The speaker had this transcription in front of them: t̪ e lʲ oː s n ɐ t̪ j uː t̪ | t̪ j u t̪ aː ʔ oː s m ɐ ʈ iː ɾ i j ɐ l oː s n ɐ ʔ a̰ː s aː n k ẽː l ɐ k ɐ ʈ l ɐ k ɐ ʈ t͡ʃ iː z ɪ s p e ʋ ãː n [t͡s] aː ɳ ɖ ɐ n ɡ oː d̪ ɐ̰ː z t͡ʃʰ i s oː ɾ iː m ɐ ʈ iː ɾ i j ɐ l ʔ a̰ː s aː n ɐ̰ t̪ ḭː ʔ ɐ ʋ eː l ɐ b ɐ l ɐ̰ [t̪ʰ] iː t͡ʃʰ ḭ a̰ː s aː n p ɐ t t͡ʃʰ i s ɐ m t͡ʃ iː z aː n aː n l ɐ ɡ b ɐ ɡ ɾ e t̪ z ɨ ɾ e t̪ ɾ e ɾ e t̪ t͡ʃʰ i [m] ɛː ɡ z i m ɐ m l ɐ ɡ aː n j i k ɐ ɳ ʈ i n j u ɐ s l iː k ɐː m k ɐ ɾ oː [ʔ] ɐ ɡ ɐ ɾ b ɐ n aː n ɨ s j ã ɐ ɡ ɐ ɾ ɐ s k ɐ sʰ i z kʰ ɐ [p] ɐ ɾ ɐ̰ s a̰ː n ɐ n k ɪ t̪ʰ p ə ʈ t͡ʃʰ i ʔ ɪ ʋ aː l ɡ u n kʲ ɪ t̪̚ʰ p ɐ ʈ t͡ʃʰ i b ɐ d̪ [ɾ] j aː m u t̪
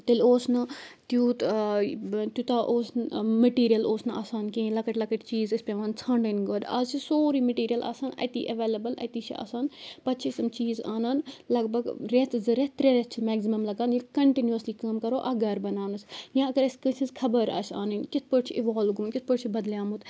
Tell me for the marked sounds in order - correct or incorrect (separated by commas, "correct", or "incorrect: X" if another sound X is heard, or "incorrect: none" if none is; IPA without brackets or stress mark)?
incorrect: t͡sʰ, incorrect: t̪, correct, correct, incorrect: b, incorrect: l